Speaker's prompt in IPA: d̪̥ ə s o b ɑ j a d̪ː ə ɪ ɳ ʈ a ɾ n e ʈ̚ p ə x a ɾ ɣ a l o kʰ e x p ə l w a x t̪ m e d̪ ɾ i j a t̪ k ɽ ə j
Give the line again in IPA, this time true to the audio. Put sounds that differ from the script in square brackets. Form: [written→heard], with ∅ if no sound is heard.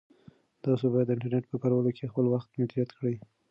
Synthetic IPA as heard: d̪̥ [ə→ɑ] s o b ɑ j a d̪ː ə ɪ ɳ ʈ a ɾ n e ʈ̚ p ə [x→k] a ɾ [ɣ→w] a l o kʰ e x p ə l w a x t̪ m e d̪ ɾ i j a t̪ k ɽ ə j